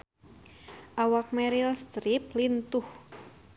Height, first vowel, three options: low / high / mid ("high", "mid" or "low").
low